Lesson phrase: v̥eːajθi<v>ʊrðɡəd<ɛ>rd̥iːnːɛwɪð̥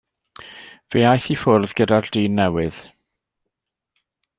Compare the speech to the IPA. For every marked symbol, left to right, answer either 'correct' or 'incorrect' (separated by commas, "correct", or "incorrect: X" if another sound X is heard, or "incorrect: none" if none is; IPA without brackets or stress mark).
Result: incorrect: f, incorrect: a